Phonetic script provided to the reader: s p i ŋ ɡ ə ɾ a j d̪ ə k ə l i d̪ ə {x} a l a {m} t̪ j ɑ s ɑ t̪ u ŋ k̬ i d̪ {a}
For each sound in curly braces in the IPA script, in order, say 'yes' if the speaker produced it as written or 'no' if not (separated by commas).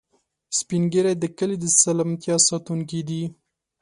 no, yes, no